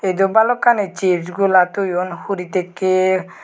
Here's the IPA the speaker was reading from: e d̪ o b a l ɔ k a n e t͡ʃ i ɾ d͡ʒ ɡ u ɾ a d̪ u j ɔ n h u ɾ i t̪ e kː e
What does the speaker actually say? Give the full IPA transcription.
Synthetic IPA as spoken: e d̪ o b a l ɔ k a n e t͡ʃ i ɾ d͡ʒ ɡ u l a t̪ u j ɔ n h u ɾ i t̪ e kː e